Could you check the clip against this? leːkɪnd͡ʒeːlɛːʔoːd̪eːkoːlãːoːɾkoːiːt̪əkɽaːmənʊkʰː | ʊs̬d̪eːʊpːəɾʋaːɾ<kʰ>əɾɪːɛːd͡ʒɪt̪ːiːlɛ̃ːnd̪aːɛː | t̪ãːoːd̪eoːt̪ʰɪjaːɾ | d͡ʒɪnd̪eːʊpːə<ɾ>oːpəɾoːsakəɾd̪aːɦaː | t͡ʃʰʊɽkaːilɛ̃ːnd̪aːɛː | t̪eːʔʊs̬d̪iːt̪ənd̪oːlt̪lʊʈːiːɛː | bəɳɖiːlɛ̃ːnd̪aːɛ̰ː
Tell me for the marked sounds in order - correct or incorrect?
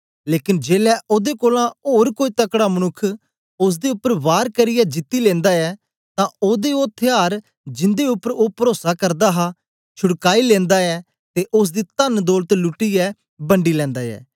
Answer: incorrect, correct

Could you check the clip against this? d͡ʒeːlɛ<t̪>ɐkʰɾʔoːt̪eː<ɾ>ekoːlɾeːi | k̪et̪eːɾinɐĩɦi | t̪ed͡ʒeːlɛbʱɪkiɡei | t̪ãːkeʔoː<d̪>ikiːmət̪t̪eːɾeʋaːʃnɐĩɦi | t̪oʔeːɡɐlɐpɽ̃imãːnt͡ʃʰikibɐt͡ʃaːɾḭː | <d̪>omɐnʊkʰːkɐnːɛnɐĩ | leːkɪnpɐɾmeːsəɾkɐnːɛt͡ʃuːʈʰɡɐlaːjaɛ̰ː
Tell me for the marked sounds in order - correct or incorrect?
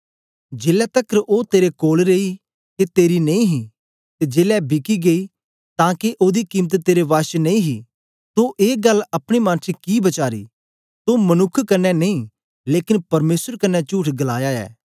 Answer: correct, correct, correct, incorrect

